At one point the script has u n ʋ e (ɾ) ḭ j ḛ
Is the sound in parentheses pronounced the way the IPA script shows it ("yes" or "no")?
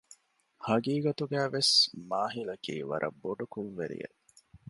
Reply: yes